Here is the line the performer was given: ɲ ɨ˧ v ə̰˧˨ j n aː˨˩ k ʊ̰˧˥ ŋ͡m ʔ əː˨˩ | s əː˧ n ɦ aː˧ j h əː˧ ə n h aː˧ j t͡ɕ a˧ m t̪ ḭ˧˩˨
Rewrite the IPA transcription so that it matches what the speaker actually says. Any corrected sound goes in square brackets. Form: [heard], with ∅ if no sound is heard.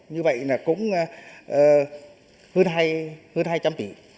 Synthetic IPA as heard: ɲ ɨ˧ v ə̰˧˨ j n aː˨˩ k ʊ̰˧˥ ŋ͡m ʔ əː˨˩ | [h] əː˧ n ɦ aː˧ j h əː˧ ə n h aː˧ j t͡ɕ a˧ m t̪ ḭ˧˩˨